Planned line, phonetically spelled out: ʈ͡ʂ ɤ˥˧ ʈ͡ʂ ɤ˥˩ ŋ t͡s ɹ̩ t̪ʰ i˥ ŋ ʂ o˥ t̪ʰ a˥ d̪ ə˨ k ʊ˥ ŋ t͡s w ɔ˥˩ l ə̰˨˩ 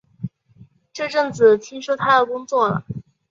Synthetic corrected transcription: ʈ͡ʂ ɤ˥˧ ʈ͡ʂ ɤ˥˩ ŋ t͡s ɹ̩ t̪ʰ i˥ ŋ ʂ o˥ t̪ʰ a˥ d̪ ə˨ k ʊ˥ ŋ t͡s w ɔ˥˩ l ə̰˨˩